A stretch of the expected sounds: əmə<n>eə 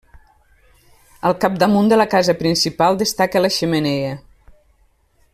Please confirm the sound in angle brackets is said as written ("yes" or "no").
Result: yes